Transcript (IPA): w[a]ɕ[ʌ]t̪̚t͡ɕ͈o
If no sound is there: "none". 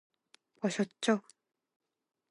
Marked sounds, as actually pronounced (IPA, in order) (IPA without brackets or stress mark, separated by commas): ʌ, ʌ